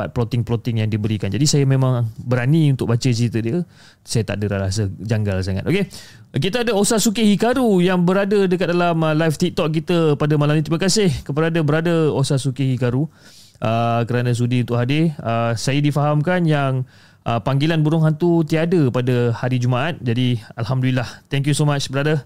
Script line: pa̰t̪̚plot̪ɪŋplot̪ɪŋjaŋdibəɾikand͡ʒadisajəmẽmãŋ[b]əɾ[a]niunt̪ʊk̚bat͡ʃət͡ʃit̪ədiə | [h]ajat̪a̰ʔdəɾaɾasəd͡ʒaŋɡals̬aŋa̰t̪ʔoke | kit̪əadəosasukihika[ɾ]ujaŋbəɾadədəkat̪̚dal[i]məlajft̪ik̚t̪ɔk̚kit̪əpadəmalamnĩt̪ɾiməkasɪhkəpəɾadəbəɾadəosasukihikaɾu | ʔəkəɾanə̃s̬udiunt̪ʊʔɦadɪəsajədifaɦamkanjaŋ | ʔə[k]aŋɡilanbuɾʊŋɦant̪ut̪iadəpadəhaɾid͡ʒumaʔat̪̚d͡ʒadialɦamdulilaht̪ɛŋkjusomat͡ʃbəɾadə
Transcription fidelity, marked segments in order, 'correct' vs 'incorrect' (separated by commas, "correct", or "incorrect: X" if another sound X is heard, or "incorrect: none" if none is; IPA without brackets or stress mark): correct, correct, incorrect: s, correct, incorrect: a, incorrect: p